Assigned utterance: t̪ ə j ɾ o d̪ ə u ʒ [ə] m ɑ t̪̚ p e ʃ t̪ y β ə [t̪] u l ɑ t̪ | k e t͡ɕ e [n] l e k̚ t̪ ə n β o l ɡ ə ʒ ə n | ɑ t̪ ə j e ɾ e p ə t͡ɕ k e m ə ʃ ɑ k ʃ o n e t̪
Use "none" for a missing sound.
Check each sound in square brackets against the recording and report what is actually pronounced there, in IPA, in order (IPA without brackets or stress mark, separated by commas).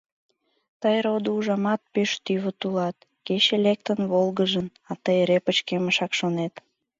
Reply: ɑ, t̪, none